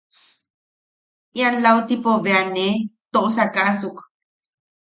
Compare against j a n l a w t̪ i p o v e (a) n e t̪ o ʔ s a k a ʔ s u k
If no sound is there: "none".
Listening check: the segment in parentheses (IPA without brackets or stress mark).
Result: a